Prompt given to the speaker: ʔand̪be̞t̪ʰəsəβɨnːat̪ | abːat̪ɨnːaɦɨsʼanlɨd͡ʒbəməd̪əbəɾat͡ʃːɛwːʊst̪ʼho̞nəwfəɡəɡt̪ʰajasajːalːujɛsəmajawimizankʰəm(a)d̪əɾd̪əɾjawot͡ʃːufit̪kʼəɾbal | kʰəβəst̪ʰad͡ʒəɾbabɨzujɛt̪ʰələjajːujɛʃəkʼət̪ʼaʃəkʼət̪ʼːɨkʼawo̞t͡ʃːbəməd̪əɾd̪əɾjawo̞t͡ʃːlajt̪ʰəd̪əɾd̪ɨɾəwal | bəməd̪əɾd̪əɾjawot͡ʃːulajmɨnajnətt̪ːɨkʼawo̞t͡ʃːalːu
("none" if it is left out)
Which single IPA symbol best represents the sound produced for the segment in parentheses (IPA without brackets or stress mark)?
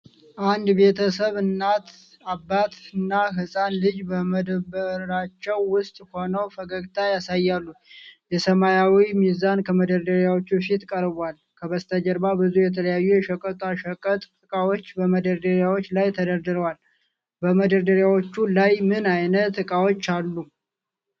ə